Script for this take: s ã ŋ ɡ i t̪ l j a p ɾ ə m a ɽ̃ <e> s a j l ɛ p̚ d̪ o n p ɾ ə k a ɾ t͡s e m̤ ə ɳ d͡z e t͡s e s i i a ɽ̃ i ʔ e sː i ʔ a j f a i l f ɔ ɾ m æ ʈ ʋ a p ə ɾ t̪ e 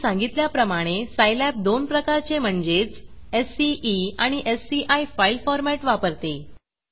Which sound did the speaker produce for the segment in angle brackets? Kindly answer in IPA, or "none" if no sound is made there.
e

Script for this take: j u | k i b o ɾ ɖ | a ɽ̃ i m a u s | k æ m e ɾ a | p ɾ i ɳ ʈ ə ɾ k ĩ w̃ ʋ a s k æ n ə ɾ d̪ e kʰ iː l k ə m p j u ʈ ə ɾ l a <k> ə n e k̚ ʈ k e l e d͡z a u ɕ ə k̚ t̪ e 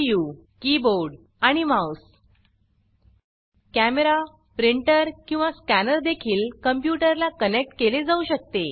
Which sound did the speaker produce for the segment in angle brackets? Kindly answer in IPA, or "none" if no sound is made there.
k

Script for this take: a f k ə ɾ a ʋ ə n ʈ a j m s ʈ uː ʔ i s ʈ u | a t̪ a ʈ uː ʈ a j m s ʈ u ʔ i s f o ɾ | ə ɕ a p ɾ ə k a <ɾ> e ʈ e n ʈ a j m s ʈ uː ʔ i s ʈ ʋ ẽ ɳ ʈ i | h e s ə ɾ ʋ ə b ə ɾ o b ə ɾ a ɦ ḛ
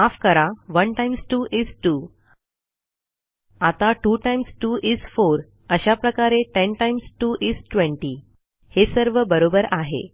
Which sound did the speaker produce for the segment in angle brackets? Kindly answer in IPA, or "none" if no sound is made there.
ɾ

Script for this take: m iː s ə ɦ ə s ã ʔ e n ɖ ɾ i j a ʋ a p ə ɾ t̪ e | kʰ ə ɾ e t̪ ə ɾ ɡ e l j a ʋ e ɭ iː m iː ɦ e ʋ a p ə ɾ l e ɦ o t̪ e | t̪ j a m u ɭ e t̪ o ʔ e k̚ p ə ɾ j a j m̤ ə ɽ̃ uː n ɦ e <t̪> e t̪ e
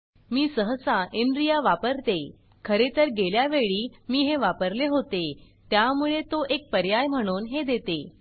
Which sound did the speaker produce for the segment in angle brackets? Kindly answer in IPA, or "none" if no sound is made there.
d̪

